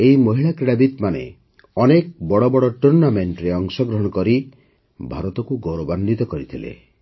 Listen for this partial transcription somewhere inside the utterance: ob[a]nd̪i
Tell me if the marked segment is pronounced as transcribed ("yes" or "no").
yes